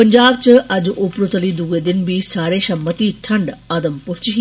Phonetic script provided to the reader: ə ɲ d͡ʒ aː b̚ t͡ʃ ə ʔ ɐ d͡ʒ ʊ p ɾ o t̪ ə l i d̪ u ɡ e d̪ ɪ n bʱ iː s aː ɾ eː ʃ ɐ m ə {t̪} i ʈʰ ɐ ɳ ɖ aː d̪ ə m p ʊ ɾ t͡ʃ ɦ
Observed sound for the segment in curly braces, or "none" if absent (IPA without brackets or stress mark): t̪